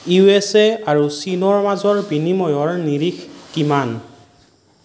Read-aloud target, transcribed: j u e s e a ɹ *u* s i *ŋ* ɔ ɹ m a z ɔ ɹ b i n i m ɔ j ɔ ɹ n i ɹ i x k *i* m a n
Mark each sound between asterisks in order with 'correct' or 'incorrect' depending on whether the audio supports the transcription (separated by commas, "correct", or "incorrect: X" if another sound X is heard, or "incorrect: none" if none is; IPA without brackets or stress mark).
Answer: correct, incorrect: n, correct